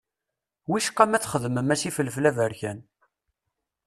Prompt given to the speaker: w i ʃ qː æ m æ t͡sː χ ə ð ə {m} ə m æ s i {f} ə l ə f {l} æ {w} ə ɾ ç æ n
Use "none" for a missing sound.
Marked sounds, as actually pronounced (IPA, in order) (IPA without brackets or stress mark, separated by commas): m, f, l, v